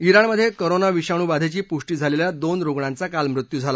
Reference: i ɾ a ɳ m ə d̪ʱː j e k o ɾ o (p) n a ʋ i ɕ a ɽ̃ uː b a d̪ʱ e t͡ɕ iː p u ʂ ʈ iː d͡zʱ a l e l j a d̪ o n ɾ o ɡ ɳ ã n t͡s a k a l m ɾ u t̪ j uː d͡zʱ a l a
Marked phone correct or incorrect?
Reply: incorrect